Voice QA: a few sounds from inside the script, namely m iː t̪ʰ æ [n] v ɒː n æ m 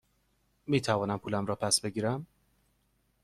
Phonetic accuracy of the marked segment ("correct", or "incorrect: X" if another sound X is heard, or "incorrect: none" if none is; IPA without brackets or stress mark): incorrect: none